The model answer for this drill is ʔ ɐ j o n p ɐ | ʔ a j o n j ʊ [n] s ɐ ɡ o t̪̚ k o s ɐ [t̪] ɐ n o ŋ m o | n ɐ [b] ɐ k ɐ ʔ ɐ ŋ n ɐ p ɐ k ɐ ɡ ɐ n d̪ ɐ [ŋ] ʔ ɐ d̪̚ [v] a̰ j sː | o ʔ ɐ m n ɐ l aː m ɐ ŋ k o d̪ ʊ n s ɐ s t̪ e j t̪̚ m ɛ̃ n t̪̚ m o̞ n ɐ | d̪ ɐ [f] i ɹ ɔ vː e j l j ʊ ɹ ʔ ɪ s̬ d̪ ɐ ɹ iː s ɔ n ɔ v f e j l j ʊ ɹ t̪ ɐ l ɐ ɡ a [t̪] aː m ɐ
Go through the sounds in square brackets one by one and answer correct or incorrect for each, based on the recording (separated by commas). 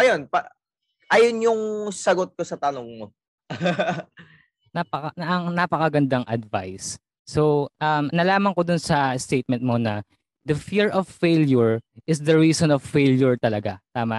incorrect, correct, incorrect, correct, correct, correct, correct